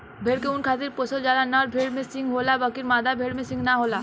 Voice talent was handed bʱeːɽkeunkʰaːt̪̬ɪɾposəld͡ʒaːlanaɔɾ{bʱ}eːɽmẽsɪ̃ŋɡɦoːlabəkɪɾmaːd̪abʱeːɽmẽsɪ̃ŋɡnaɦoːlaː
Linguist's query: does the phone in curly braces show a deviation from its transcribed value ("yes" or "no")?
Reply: no